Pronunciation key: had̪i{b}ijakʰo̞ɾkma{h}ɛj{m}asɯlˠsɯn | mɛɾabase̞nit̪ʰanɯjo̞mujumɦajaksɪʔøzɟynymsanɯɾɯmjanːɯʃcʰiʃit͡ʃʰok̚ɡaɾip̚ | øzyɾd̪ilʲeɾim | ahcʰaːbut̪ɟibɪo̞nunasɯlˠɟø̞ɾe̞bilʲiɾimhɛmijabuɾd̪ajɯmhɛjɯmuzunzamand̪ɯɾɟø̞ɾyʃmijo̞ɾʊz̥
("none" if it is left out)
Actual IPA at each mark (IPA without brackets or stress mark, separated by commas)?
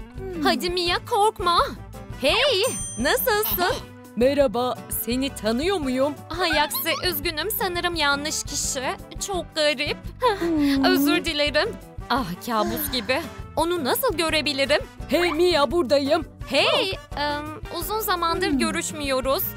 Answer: m, h, n